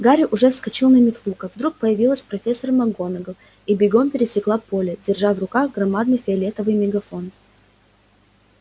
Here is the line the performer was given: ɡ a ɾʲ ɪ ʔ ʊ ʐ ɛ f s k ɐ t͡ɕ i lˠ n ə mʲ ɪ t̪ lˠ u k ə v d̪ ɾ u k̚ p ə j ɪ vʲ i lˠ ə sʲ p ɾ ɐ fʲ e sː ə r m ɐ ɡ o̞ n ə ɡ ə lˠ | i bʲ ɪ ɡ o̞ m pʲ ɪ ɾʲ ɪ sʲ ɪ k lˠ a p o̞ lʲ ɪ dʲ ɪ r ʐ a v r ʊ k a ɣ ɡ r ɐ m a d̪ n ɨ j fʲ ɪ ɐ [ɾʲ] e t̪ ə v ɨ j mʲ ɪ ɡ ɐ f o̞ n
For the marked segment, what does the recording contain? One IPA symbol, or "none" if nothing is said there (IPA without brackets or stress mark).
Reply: lʲ